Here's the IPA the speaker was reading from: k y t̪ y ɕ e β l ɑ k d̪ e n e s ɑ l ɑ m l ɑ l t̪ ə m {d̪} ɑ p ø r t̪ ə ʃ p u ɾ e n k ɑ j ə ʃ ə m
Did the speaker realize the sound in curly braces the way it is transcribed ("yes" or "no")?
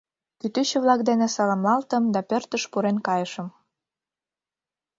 yes